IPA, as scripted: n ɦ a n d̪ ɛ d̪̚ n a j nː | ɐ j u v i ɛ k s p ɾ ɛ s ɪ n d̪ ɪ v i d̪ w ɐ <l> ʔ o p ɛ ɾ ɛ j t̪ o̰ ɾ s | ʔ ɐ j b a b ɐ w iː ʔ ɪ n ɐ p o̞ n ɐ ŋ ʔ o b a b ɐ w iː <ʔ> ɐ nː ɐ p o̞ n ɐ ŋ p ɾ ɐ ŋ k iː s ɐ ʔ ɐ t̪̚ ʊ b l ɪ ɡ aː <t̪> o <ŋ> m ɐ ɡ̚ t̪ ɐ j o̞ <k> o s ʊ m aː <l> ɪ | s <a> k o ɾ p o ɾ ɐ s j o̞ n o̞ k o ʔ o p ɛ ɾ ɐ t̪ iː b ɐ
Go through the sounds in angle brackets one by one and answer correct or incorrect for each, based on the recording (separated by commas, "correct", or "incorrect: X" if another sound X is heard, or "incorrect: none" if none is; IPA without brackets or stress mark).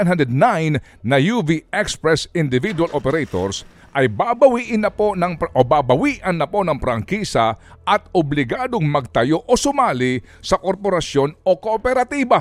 correct, correct, incorrect: d̪, correct, incorrect: ʔ, correct, incorrect: ɐ